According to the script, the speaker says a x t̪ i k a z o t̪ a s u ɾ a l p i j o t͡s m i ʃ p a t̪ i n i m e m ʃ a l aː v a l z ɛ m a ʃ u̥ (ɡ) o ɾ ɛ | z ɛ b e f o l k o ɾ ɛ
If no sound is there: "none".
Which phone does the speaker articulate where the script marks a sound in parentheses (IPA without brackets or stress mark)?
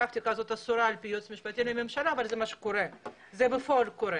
k